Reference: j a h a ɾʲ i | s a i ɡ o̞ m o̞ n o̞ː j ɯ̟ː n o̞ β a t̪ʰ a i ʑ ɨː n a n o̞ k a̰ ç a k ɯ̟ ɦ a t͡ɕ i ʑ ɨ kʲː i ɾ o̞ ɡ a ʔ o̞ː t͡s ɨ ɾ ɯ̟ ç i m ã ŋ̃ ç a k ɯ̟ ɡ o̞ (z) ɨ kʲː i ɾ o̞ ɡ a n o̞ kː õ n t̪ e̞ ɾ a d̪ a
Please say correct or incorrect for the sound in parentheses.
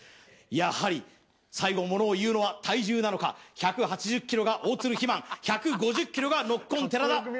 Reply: incorrect